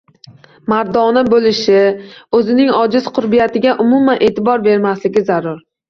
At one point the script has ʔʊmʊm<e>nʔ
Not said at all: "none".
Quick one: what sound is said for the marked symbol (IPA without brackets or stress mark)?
a